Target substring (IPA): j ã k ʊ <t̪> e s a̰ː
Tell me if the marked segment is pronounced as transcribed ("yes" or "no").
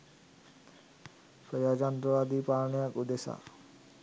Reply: no